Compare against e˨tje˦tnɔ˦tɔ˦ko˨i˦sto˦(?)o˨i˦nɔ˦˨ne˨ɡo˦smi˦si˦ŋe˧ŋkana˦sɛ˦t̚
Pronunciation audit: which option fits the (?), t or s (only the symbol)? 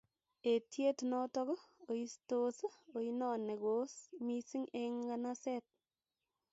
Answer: s